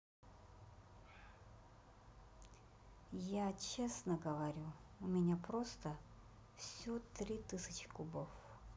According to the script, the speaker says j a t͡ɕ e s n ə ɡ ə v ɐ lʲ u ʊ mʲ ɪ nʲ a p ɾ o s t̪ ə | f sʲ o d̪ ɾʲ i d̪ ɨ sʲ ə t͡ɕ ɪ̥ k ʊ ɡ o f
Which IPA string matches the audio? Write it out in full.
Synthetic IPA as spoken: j a t͡ɕ e s n ə ɡ ə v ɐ ɾʲ u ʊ mʲ ɪ nʲ a p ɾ o s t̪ ə | f sʲ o t̪ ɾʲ i t̪ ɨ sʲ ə t͡ɕ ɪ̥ k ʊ b o f